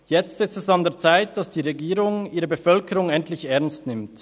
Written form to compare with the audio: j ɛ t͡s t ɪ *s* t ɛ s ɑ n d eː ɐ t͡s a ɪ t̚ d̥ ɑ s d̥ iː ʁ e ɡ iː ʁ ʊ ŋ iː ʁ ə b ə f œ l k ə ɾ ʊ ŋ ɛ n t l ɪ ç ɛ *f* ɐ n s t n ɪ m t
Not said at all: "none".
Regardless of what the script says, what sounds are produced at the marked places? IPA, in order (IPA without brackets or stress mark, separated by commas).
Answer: s, none